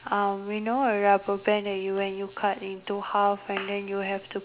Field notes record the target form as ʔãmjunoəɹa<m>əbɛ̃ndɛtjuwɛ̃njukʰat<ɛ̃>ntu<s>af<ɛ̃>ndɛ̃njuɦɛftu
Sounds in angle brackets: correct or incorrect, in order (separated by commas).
incorrect, incorrect, incorrect, correct